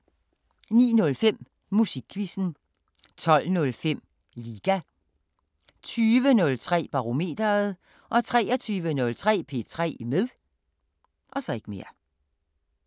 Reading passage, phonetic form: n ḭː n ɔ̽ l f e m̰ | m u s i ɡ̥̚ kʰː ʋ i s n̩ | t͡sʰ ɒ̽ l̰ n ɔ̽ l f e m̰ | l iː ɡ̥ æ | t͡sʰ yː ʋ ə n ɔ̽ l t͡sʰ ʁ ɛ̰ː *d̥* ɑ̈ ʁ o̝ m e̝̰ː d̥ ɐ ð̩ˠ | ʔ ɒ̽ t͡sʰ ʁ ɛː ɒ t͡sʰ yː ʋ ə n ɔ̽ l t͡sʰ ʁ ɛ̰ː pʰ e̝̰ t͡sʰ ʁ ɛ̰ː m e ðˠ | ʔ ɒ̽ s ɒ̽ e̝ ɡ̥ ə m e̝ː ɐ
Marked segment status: incorrect: b̥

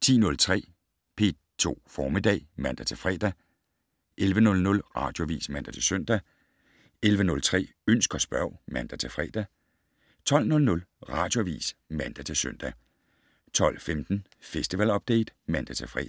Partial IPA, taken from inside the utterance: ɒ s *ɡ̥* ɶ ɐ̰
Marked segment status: incorrect: b̥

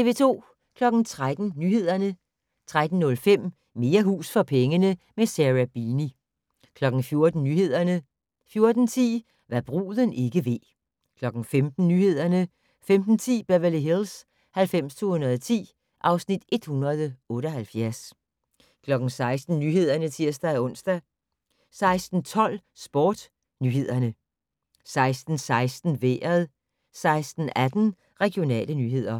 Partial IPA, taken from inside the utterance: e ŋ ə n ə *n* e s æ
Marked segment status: incorrect: m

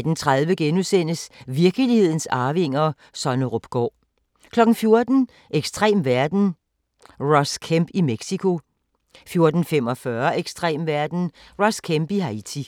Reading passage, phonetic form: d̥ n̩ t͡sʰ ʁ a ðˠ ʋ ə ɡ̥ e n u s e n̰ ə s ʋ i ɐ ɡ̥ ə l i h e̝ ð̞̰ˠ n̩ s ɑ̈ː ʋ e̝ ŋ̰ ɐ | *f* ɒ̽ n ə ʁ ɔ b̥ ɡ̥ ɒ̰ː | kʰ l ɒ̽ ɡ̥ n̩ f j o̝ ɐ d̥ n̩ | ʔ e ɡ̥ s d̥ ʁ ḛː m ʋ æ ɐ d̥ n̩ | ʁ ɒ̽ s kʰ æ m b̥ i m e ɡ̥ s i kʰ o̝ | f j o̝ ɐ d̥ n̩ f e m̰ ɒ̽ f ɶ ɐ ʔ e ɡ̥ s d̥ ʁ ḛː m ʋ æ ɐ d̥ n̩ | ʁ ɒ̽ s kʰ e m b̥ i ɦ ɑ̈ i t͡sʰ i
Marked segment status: incorrect: s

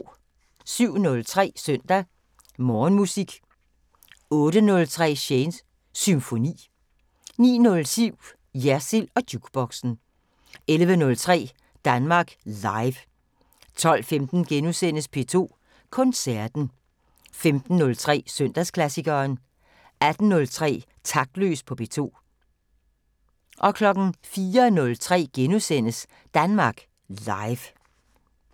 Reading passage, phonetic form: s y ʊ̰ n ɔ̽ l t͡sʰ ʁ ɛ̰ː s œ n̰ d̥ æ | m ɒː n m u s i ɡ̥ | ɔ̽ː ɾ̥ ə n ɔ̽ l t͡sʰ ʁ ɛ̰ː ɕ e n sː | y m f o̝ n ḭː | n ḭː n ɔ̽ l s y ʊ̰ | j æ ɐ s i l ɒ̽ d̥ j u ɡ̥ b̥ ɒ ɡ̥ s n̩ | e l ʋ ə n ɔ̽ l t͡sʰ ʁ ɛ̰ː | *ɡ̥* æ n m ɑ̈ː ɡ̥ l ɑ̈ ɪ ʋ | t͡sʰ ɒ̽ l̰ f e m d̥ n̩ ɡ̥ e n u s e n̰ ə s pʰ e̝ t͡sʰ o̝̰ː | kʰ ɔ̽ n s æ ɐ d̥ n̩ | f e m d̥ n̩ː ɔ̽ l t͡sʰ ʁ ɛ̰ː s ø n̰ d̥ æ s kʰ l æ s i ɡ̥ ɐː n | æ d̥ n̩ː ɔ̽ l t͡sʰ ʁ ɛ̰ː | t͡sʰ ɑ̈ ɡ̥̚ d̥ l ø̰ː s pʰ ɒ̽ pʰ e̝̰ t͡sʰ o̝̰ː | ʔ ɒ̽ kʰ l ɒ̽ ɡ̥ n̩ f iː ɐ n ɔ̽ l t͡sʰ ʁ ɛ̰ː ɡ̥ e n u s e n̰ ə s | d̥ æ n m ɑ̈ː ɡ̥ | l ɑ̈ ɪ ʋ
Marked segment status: incorrect: d̥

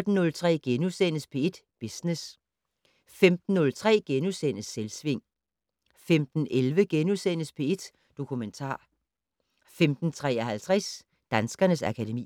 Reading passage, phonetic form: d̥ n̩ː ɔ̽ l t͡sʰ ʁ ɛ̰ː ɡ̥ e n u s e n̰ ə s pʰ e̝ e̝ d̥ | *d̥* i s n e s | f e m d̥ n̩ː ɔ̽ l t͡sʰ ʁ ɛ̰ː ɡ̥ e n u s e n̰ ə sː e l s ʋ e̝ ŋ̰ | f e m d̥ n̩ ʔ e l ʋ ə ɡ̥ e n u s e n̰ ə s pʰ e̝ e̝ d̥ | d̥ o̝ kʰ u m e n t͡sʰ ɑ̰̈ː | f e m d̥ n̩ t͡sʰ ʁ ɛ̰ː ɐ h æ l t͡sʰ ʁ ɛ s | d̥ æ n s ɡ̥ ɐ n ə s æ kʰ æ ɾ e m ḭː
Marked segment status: incorrect: b̥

